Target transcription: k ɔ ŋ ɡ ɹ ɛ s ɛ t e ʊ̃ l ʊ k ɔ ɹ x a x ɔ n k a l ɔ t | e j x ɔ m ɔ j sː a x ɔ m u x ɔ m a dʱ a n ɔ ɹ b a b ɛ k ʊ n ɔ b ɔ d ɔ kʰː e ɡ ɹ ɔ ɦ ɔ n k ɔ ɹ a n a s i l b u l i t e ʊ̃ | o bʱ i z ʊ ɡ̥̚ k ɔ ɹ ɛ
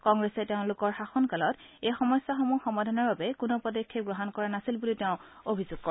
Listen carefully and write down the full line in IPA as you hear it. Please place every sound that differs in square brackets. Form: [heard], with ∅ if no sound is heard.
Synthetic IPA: k ɔ ŋ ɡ ɹ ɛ s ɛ t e ʊ̃ l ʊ k ɔ ɹ x a x ɔ n k a l ɔ t | e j x ɔ m ɔ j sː a x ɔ m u x ɔ m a dʱ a n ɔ ɹ b a b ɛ k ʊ n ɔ [p] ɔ d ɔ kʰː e ɡ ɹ ɔ ɦ ɔ n k ɔ ɹ a n a s i l b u l i t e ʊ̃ | o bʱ i z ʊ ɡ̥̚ k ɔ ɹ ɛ